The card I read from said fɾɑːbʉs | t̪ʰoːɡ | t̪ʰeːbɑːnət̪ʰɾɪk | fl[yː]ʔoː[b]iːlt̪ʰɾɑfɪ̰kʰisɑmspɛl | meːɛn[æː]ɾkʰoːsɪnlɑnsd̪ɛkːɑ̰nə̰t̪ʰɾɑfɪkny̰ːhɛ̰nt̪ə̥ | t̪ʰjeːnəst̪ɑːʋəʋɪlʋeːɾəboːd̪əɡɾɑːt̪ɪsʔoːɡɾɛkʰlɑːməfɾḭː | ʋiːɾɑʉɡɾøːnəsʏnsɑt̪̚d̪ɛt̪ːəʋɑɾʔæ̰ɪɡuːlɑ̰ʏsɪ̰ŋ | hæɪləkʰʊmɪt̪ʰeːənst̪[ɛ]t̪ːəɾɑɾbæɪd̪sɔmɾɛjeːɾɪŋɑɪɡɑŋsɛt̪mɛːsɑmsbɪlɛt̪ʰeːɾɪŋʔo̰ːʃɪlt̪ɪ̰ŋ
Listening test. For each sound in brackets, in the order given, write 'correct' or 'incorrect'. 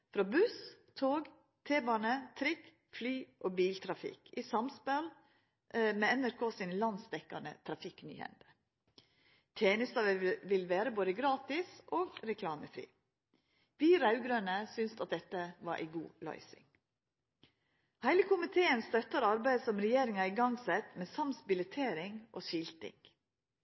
correct, correct, incorrect: æ, incorrect: œ

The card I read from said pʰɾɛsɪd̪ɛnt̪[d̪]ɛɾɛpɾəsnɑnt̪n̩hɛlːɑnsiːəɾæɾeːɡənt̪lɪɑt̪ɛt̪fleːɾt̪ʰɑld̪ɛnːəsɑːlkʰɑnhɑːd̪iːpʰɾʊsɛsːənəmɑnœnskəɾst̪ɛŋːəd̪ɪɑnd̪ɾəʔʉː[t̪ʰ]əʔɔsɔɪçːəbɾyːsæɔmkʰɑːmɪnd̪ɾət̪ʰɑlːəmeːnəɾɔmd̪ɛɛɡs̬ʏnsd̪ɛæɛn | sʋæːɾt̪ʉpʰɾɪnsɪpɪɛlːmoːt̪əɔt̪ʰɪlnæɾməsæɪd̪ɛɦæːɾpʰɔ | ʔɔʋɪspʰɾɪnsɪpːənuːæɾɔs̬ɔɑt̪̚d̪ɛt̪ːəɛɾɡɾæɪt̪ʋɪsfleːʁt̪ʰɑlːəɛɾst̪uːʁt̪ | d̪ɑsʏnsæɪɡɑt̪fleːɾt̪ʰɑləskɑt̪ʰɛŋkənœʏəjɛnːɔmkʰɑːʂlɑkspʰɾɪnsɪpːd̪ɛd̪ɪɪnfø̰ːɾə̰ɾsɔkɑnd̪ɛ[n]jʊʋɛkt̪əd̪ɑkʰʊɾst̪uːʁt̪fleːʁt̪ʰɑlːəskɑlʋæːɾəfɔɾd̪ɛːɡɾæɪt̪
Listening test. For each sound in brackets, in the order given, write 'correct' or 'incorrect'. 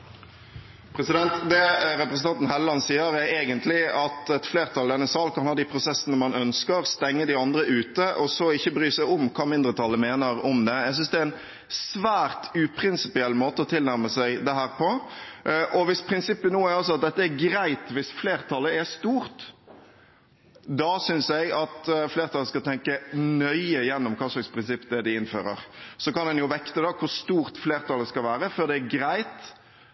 correct, incorrect: t̪, correct

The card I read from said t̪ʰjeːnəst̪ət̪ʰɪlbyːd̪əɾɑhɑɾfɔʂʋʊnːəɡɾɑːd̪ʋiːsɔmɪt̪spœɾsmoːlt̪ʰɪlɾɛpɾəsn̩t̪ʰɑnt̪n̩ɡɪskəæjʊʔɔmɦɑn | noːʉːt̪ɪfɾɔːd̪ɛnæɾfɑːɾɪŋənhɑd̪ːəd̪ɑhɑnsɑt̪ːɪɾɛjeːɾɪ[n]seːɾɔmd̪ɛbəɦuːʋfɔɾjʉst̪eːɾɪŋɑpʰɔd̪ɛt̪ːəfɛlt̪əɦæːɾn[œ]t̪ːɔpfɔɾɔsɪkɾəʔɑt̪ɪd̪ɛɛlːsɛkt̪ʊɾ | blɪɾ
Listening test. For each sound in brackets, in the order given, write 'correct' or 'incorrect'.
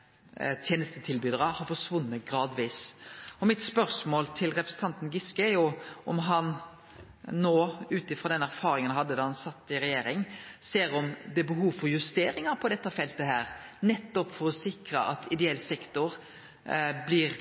incorrect: ŋ, incorrect: ɛ

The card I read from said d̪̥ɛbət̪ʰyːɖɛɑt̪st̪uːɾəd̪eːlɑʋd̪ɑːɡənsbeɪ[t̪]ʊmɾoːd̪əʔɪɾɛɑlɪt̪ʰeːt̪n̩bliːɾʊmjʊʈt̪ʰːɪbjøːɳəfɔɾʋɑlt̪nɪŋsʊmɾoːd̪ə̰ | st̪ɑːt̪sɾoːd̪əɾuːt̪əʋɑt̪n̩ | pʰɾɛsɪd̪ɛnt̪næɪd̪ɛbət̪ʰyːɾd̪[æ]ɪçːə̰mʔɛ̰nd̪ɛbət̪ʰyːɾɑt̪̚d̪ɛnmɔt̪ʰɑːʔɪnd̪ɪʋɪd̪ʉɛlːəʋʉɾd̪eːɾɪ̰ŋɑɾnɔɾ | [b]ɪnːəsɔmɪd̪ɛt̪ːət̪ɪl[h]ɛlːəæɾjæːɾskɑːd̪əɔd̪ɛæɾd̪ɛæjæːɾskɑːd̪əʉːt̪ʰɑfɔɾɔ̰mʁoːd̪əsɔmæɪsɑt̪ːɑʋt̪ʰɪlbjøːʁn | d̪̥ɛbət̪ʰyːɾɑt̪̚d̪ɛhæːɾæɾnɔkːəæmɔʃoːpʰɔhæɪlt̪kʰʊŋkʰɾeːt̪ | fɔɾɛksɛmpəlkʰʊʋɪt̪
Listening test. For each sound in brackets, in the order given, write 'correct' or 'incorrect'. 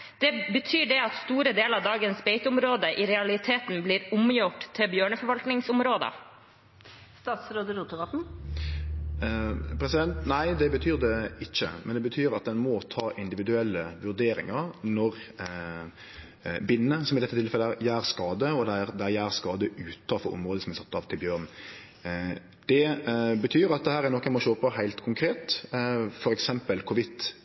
correct, incorrect: ɛ, correct, incorrect: f

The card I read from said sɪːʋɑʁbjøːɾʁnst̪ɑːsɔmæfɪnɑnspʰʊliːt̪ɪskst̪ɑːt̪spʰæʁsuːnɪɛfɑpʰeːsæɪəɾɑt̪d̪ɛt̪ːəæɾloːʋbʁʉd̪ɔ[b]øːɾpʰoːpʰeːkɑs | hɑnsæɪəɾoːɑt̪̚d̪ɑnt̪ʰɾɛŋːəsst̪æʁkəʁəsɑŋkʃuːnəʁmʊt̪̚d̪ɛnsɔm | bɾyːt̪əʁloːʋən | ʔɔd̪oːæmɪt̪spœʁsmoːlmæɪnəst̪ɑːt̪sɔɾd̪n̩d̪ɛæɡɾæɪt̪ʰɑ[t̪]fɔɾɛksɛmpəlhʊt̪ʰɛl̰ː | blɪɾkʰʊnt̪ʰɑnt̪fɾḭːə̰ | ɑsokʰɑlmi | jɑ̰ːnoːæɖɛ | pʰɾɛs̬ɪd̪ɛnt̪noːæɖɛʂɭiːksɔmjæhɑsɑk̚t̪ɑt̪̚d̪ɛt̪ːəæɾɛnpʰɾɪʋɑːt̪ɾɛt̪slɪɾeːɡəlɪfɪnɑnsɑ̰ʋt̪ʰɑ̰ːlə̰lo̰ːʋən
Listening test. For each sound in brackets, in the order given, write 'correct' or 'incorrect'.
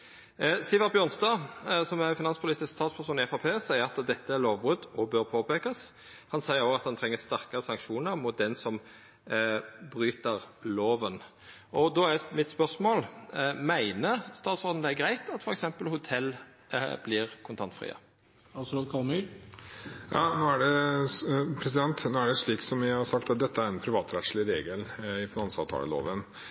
correct, correct

